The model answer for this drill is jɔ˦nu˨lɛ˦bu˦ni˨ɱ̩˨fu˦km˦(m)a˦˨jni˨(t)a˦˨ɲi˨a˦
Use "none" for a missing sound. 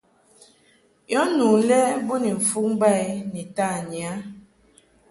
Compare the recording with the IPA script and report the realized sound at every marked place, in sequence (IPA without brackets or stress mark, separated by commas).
b, t